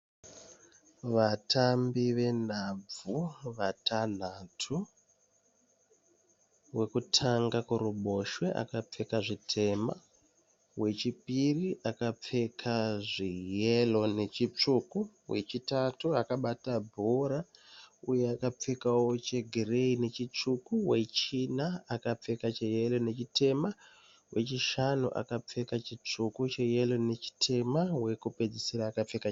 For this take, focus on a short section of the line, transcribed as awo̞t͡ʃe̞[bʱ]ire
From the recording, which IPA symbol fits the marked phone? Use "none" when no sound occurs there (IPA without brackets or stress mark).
ɡʱ